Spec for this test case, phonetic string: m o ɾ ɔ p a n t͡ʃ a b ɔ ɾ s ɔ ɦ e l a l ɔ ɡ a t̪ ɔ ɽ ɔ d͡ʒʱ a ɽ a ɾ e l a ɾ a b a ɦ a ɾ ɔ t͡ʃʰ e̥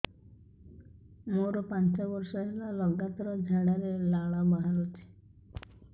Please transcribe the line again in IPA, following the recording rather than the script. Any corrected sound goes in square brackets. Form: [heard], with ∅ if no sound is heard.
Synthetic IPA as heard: m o ɾ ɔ p a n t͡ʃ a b ɔ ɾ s ɔ ɦ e l a l ɔ ɡ a t̪ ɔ [ɾ] ɔ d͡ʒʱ a ɽ a ɾ e l a [ɭ] a b a ɦ a ɾ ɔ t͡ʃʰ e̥